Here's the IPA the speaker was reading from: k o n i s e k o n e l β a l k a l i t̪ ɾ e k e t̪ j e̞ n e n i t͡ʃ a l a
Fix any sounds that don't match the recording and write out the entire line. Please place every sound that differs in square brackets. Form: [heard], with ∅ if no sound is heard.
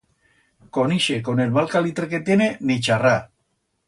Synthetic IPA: k o n i [ʃ] e k o n e l β a l k a l i t̪ ɾ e k e t̪ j e̞ n e n i t͡ʃ a [r] a